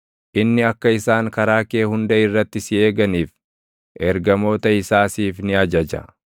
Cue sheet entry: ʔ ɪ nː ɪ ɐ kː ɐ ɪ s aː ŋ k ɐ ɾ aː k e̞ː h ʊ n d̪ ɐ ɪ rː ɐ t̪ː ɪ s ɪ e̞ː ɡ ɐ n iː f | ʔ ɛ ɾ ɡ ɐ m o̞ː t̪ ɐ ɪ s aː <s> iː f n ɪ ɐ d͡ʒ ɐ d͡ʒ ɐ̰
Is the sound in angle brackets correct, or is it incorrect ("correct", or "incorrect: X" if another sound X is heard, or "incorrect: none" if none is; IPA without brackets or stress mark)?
correct